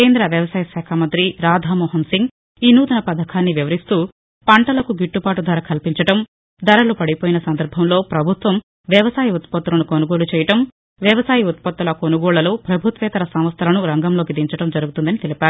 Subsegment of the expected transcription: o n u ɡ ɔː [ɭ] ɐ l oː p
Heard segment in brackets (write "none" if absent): ɭ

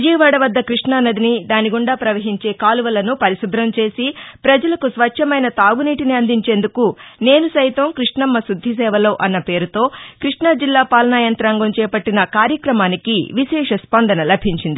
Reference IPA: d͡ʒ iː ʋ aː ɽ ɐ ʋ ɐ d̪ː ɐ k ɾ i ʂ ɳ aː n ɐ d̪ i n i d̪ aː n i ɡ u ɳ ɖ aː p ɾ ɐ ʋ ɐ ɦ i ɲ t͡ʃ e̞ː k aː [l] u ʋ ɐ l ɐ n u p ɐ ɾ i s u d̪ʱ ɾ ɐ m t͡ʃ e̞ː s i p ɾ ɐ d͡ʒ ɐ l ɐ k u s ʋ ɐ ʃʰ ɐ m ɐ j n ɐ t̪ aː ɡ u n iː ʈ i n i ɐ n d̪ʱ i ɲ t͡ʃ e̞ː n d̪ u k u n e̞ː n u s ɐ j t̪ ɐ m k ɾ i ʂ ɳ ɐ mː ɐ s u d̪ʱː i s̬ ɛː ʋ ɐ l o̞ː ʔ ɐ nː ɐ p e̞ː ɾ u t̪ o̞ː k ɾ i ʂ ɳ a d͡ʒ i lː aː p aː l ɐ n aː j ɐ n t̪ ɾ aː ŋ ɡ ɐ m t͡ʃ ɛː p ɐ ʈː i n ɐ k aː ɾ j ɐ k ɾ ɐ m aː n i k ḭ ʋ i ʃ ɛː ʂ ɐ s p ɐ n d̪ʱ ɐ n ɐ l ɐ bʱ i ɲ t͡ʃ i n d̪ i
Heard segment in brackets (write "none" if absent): l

